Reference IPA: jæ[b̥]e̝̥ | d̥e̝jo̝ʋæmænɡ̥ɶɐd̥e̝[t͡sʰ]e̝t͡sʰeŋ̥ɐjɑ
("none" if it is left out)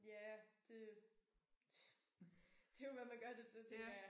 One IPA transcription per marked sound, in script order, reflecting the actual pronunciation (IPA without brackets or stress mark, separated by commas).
d̥, t͡sʰ